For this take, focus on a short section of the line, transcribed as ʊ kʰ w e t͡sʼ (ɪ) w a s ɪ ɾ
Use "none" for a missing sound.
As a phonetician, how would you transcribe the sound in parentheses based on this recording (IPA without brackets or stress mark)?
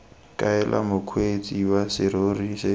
i